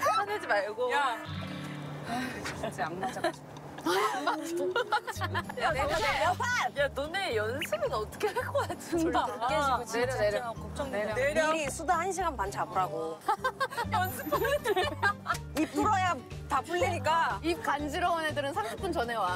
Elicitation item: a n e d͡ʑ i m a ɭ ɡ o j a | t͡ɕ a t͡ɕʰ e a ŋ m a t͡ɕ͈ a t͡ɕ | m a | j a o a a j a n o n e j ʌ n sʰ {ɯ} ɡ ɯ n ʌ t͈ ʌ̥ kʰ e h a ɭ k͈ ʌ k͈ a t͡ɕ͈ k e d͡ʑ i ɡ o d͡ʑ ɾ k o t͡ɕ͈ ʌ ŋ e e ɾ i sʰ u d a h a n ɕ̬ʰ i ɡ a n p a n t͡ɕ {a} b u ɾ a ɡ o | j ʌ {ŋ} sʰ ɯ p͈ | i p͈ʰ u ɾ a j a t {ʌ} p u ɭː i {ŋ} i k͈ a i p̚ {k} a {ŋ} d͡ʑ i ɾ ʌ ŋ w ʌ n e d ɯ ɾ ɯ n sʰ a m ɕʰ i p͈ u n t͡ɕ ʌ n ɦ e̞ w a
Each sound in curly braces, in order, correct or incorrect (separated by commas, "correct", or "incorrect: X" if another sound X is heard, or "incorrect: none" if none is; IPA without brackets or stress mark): correct, correct, incorrect: n, incorrect: a, incorrect: ɲ, correct, incorrect: n